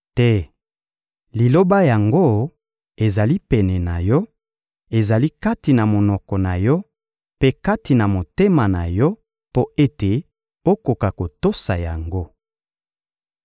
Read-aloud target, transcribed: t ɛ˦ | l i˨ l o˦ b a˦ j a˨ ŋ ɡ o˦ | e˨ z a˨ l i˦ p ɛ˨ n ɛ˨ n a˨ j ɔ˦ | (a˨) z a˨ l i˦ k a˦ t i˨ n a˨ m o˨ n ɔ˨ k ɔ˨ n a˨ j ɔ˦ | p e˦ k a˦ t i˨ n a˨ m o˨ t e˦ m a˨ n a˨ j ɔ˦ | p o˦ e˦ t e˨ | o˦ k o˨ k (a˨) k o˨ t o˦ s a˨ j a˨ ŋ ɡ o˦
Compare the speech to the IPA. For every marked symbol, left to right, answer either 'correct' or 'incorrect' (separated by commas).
incorrect, correct